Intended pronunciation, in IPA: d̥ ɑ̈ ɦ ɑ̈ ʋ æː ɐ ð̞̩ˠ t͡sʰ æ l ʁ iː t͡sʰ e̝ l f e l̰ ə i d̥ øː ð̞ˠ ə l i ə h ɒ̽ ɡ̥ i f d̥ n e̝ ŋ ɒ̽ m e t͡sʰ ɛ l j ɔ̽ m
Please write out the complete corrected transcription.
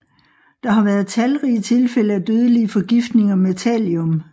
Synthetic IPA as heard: d̥ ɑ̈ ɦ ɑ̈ ʋ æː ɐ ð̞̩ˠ t͡sʰ æ l ʁ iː t͡sʰ e̝ l f e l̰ ə æ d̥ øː ð̞ˠ ə l i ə f ɒ̽ ɡ̥ i f d̥ n e̝ ŋ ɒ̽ m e t͡sʰ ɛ l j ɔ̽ m